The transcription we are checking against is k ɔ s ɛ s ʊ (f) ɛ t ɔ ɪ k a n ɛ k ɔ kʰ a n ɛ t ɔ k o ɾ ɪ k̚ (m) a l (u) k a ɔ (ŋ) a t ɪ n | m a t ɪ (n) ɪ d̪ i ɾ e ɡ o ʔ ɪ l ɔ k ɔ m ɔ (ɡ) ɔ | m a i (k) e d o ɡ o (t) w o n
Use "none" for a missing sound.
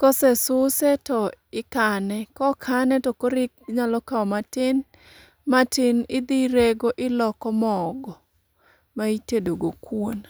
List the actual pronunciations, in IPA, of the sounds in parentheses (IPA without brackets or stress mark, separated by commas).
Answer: s, ɲ, ɔ, m, n, ɡ, t, k